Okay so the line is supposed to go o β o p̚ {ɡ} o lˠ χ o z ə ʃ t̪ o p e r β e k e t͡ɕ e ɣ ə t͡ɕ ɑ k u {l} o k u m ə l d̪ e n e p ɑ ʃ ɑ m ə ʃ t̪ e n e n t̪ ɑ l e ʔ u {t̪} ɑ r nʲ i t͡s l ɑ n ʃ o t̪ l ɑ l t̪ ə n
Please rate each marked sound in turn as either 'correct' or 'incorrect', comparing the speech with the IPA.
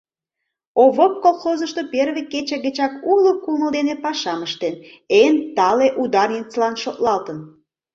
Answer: incorrect, correct, incorrect

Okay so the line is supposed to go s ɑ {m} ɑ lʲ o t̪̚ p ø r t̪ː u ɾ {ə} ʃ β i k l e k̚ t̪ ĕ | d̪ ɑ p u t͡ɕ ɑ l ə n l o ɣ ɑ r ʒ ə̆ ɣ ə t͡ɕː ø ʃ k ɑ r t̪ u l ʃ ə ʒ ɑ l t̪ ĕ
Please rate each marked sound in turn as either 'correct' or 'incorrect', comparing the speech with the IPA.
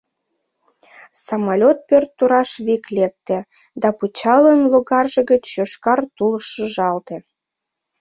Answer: correct, incorrect

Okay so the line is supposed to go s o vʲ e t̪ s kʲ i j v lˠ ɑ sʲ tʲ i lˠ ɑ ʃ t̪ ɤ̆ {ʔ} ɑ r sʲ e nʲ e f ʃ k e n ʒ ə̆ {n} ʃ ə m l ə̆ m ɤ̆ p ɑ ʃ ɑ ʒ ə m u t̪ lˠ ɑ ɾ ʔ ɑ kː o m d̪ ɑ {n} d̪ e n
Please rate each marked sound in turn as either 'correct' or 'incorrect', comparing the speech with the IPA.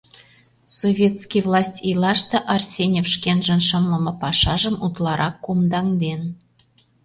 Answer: correct, correct, incorrect

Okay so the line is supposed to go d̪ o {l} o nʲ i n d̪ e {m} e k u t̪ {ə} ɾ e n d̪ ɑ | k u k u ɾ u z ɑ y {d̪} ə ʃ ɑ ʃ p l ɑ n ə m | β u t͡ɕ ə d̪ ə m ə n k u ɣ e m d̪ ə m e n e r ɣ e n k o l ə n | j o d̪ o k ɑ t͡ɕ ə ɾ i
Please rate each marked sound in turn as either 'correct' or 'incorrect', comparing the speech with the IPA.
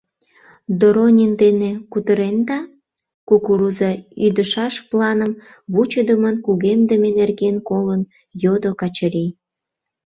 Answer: incorrect, incorrect, correct, correct

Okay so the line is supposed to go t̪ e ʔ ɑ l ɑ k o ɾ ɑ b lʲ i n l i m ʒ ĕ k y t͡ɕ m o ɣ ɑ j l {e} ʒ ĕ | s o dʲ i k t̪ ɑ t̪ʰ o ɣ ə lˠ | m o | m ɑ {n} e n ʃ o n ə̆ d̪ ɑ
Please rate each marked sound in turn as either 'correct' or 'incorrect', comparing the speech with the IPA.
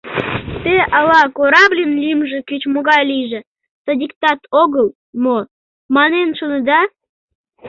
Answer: incorrect, correct

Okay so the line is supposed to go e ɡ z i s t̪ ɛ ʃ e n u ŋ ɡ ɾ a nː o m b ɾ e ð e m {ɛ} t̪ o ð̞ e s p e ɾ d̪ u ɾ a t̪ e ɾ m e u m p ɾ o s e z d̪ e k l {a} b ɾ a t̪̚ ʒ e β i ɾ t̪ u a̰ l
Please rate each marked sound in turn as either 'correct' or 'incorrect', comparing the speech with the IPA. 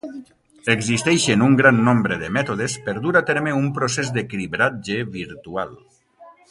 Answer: correct, incorrect

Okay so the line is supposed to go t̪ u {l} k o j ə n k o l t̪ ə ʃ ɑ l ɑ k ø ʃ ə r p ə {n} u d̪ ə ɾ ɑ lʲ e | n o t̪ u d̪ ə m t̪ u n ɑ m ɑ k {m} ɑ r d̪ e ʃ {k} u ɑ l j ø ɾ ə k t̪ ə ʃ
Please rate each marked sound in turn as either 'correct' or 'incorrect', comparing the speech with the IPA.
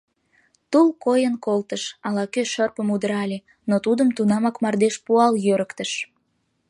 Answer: correct, incorrect, correct, incorrect

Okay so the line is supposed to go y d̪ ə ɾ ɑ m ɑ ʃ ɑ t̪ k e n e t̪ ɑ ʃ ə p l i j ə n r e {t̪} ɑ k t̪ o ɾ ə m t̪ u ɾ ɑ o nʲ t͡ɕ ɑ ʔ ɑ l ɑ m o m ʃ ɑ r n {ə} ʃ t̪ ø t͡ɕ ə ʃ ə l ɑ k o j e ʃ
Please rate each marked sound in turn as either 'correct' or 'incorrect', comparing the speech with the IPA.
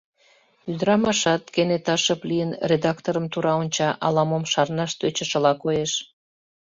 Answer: incorrect, incorrect

